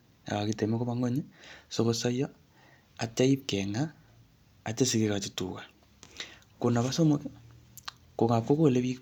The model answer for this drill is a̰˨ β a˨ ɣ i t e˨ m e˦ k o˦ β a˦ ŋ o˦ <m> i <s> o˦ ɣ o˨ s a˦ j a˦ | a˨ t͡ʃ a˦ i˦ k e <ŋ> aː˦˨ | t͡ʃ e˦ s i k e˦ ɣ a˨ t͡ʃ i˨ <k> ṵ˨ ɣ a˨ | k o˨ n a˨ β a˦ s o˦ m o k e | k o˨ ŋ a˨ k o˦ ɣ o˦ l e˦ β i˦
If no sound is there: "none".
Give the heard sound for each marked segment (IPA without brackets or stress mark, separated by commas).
ɲ, s, ŋ, t